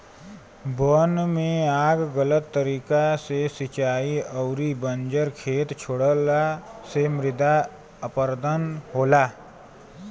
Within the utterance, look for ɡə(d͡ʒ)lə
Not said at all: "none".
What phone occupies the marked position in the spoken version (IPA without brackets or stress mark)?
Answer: none